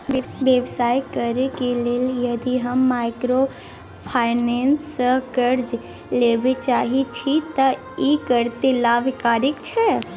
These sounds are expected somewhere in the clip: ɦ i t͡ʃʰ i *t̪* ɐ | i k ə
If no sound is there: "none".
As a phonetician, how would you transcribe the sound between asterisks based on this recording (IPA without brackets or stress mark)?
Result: t̪